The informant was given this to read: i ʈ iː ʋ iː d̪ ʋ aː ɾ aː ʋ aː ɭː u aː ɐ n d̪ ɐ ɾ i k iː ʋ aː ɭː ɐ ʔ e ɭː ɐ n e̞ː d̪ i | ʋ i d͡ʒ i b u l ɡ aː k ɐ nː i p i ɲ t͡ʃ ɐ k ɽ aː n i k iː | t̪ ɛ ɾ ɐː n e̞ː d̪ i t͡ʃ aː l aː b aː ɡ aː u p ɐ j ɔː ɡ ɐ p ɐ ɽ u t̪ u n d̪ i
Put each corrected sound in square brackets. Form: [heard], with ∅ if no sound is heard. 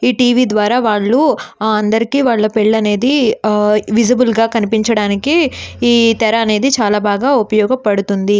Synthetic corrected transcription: [iː] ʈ iː ʋ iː d̪ ʋ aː ɾ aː ʋ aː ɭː u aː ɐ n d̪ ɐ ɾ i k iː ʋ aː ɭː ɐ [p] e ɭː ɐ n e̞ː d̪ i | ʋ i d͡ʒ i b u l ɡ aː k ɐ [n] i p i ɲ t͡ʃ ɐ [∅] ɽ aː n i k iː | t̪ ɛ ɾ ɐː n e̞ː d̪ i t͡ʃ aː l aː b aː ɡ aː u p ɐ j ɔː ɡ ɐ p ɐ ɽ u t̪ u n d̪ i